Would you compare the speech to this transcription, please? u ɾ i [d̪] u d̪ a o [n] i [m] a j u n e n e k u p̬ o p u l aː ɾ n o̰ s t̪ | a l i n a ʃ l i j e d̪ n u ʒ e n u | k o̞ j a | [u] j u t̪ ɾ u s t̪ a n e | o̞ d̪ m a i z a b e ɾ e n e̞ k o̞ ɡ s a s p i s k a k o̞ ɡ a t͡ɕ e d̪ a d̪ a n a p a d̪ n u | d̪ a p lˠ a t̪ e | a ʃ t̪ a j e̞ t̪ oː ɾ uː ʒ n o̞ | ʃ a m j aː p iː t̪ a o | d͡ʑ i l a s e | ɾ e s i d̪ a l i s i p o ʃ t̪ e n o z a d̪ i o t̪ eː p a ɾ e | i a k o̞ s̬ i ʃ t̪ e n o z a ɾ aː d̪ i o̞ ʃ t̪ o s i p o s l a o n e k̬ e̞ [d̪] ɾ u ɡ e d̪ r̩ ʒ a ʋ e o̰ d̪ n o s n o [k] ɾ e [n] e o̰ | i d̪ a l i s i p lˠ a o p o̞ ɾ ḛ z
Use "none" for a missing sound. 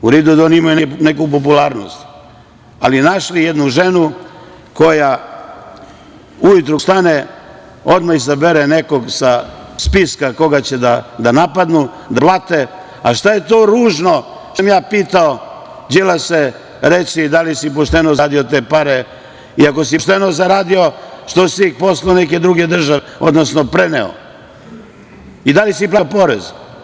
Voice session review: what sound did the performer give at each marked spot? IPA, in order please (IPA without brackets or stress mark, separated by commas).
d̪, n, m, u, d̪, p, n